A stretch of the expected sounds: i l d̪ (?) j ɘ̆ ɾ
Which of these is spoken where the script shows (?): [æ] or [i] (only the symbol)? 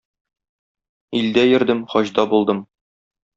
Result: æ